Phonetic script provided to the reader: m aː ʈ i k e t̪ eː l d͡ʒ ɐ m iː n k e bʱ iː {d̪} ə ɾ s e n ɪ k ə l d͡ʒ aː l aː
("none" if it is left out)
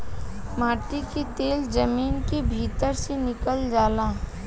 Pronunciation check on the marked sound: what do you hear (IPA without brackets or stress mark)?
t̪